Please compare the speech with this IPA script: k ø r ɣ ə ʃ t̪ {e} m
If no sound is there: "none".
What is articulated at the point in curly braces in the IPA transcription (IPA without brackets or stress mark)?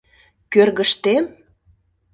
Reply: e